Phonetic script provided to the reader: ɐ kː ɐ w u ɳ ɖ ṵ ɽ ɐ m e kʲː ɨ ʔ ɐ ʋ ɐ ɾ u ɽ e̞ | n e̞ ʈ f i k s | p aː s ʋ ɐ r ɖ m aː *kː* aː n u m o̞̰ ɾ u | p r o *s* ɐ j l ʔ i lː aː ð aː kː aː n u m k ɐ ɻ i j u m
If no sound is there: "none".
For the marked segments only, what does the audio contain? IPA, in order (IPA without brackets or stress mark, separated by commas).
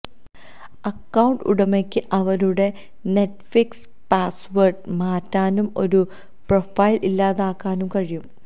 tː, f